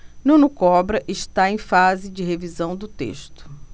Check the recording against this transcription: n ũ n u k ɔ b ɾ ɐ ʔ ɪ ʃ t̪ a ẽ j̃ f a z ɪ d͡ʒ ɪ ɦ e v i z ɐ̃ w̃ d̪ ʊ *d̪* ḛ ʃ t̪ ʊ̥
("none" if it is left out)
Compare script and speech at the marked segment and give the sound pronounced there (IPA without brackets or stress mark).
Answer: t̪